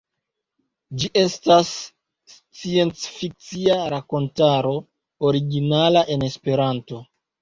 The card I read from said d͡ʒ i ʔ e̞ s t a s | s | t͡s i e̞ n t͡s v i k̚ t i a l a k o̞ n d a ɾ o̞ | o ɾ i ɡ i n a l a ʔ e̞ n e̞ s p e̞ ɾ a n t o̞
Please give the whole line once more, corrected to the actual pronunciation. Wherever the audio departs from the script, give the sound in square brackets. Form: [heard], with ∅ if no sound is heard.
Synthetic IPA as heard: d͡ʒ i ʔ e̞ s t a s | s | t͡s i e̞ n t͡s [f] i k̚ [t͡s] i a [ɾ] a k o̞ n [t] a ɾ o̞ | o ɾ i ɡ i n a l a ʔ e̞ n e̞ s p e̞ ɾ a n t o̞